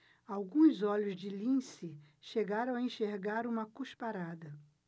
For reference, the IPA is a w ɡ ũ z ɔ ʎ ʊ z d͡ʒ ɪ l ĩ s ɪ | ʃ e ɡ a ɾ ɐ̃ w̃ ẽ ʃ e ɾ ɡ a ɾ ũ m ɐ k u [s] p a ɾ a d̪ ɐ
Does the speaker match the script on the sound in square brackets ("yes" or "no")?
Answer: no